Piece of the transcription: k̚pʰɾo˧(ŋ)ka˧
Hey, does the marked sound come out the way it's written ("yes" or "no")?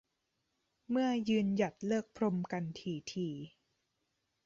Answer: no